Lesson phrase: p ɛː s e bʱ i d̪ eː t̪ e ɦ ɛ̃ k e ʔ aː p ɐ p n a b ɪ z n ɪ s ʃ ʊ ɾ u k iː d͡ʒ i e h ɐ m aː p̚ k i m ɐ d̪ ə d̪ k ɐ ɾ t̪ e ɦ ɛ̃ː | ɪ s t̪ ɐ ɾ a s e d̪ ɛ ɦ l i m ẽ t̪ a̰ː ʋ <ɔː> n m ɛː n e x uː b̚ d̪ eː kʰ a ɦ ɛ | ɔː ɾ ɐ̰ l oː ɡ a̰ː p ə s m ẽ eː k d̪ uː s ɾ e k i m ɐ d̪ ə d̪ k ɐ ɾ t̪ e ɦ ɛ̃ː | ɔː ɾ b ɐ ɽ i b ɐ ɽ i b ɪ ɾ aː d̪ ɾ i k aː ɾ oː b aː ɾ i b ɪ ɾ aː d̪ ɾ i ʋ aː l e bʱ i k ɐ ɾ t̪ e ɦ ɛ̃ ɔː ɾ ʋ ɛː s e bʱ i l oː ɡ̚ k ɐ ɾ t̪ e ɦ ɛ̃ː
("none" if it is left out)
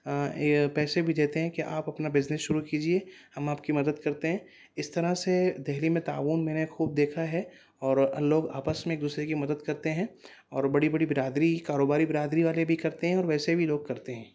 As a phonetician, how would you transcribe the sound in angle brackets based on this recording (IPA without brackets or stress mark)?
uː